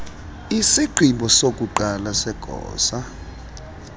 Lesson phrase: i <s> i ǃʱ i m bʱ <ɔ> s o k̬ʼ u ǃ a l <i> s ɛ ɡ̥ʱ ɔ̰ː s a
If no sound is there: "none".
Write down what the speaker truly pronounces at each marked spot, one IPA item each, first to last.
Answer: s, ɔ, a

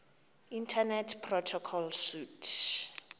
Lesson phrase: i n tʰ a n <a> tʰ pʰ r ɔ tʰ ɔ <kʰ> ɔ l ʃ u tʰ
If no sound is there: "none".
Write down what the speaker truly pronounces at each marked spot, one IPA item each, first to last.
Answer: ɛ, kʰ

